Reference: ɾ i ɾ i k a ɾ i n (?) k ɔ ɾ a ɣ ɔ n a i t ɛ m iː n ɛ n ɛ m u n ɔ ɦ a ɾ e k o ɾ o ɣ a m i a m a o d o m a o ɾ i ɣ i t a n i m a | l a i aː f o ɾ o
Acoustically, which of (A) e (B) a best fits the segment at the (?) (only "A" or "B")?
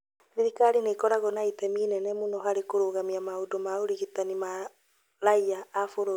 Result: A